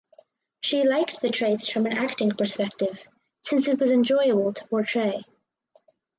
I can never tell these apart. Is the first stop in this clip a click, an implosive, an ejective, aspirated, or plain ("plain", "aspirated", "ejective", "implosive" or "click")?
plain